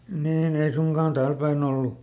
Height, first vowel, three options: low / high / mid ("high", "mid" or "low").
high